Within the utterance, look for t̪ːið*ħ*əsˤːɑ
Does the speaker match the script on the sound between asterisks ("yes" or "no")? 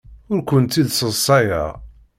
no